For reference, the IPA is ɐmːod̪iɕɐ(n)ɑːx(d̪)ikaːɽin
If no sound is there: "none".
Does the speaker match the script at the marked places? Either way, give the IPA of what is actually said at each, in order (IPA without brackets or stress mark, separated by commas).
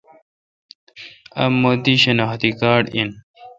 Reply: n, t̪